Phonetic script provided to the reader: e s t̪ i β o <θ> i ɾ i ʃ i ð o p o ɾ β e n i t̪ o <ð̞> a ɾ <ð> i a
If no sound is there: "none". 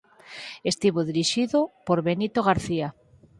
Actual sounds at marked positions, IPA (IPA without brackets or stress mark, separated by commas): ð, ɣ̞, θ